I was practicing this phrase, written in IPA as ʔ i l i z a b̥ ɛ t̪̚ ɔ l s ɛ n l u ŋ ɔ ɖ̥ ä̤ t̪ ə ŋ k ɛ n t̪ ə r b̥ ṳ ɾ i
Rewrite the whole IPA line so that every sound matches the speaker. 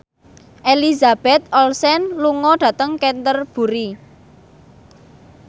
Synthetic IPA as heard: ʔ e l i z a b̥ ɛ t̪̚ ɔ l s ɛ n l u ŋ ɔ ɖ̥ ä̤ t̪ ə ŋ k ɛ n t̪ ə r b̥ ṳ ɾ i